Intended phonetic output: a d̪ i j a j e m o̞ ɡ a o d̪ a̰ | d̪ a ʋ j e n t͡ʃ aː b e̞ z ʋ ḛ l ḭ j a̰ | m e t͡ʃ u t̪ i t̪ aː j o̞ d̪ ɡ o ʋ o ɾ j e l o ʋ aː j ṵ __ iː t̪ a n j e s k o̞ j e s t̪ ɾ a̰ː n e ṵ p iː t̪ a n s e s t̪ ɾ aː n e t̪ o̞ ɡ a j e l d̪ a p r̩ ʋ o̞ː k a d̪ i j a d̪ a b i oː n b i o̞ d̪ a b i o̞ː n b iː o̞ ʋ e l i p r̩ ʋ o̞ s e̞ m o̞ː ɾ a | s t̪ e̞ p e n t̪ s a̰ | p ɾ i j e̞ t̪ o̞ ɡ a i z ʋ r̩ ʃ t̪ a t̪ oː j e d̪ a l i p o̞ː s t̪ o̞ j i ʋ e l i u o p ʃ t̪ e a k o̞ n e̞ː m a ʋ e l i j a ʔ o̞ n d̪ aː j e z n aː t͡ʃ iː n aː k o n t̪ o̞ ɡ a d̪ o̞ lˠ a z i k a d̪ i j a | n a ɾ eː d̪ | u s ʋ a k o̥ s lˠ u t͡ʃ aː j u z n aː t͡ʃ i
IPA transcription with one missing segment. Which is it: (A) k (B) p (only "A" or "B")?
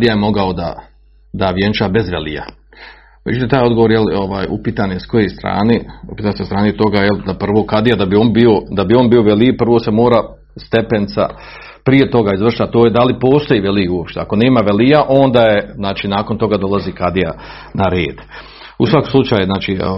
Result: B